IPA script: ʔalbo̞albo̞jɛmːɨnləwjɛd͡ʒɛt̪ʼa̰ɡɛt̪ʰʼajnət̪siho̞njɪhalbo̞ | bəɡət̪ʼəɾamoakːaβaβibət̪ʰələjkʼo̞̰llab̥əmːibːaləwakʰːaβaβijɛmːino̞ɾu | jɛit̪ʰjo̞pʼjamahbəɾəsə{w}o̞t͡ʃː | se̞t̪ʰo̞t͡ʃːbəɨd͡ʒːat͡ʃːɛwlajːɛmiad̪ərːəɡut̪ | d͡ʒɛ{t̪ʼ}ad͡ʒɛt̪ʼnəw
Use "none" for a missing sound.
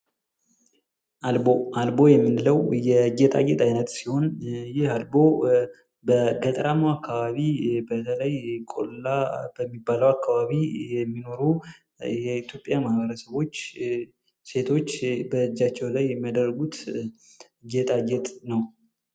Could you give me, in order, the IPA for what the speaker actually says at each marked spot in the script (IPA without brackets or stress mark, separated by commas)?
β, t̪ʼ